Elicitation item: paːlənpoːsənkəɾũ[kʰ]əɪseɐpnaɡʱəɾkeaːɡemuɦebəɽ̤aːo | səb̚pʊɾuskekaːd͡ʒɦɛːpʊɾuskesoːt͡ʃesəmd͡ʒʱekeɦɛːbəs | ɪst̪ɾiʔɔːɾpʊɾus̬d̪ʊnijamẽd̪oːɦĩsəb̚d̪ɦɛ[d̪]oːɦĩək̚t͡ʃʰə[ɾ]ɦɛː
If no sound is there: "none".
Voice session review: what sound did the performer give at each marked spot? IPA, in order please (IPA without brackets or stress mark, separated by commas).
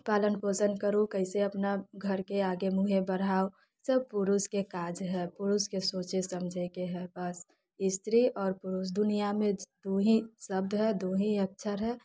k, d̪, ɾ